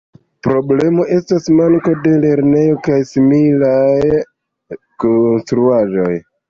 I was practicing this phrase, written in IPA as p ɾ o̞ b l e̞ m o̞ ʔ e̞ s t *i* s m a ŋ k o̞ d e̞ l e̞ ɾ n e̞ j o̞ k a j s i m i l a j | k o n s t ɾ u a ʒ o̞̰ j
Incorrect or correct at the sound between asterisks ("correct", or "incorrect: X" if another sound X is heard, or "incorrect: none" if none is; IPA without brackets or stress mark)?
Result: incorrect: a